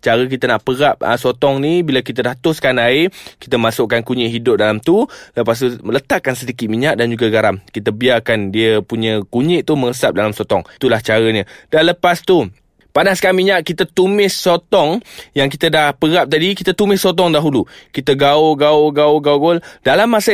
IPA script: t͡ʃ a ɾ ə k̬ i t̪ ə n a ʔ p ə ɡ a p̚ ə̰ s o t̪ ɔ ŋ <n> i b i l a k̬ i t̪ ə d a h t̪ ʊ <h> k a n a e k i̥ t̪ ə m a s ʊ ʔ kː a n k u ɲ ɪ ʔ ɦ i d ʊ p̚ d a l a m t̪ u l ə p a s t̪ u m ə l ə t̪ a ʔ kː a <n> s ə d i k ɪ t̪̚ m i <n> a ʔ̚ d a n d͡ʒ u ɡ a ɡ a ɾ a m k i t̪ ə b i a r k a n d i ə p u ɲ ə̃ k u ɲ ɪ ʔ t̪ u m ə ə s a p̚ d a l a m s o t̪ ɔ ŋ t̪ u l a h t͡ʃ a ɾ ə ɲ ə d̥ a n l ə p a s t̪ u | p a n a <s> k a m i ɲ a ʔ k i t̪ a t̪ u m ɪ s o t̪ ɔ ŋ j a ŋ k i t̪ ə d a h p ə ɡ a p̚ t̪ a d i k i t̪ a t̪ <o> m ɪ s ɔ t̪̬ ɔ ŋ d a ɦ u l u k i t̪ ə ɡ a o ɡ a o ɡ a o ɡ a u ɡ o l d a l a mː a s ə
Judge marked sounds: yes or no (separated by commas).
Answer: yes, no, yes, no, yes, no